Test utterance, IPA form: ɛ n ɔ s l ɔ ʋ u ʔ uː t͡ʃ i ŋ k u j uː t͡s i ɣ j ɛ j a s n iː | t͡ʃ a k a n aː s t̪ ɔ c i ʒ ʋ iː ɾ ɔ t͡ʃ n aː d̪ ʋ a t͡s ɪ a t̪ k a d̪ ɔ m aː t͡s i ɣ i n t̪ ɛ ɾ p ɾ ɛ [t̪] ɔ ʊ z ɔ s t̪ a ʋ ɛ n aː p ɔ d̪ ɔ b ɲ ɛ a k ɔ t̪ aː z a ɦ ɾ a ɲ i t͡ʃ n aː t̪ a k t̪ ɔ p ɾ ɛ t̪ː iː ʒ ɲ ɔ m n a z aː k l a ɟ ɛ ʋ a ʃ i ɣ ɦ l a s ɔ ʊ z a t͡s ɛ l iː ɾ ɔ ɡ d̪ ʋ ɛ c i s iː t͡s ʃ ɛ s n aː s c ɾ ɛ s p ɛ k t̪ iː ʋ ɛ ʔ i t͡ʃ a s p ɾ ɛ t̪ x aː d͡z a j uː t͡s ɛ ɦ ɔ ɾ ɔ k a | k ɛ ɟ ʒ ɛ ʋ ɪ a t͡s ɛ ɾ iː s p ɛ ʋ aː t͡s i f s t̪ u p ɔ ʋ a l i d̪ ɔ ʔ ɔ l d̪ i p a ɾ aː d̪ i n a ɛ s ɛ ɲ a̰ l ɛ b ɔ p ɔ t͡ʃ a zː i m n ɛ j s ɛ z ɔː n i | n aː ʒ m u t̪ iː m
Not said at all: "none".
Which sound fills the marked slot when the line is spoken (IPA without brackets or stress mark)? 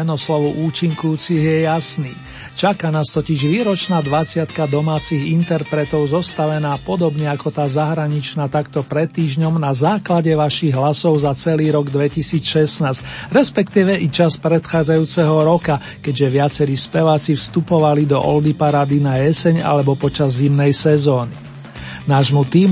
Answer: t̪